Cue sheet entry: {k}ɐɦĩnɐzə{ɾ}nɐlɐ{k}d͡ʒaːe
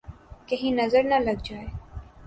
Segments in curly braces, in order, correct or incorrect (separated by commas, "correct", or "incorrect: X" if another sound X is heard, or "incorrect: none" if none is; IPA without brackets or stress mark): correct, correct, incorrect: ɡ